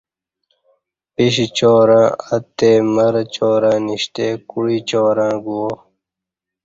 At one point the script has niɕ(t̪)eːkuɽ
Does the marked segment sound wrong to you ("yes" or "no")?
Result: no